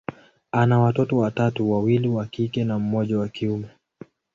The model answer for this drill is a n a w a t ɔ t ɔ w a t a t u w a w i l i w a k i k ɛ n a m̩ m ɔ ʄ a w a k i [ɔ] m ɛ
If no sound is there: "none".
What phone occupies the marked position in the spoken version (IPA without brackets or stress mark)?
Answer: u